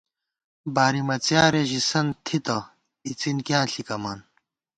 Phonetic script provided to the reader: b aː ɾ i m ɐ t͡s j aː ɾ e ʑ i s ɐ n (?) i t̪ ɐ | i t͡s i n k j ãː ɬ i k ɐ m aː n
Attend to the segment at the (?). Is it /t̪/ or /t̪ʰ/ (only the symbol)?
t̪ʰ